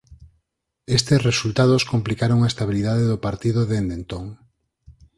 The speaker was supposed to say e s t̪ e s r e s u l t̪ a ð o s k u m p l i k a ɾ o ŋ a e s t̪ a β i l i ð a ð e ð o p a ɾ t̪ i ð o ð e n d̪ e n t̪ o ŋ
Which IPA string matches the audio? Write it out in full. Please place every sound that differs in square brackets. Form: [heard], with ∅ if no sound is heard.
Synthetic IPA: e s t̪ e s r e s u l t̪ a ð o s k [o] m p l i k a ɾ o ŋ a e s t̪ a β i l i ð a ð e ð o p a ɾ t̪ i ð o ð e n d̪ e n t̪ o ŋ